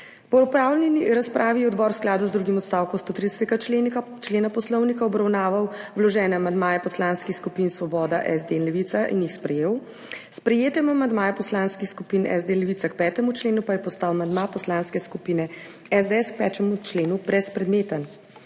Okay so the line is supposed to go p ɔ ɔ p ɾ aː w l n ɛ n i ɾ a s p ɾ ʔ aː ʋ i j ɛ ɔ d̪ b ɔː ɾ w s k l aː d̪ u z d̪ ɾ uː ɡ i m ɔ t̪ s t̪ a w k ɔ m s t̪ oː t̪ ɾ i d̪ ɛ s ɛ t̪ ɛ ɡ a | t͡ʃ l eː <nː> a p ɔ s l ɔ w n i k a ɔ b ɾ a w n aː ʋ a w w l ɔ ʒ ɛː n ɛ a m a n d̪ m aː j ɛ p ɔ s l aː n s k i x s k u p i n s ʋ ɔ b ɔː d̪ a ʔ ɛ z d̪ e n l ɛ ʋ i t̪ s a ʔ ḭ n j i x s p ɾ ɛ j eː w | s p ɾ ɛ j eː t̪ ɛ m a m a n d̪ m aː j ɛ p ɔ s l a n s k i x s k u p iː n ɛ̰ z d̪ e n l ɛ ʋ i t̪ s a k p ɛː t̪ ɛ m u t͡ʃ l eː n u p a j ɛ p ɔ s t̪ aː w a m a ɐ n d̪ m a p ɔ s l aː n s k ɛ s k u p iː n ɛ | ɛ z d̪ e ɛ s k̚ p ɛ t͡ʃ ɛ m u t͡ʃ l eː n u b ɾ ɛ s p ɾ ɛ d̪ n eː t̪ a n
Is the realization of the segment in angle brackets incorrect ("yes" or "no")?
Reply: yes